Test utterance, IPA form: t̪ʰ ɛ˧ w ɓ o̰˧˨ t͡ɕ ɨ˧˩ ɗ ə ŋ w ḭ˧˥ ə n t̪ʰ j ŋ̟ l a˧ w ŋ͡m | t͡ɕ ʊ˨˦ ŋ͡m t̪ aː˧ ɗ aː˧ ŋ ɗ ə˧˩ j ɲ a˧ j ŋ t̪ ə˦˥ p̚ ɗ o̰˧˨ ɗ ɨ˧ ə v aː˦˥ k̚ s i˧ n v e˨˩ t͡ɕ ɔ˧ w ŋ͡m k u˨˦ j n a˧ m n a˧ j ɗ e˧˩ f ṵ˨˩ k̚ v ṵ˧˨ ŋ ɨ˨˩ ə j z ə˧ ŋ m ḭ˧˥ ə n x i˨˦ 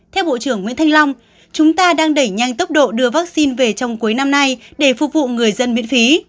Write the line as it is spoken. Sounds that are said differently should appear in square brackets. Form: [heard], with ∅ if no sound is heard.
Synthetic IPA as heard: t̪ʰ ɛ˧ w ɓ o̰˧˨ t͡ɕ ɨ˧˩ [∅] ə ŋ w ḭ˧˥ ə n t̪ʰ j ŋ̟ l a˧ w ŋ͡m | t͡ɕ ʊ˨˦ ŋ͡m t̪ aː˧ ɗ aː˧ ŋ ɗ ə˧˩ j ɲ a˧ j ŋ t̪ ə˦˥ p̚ ɗ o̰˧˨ ɗ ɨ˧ ə v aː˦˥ k̚ s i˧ n v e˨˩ t͡ɕ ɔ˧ w ŋ͡m k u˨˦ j n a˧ m n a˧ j ɗ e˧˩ f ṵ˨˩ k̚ v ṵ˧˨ ŋ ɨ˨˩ ə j z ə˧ [n] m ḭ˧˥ ə n [f] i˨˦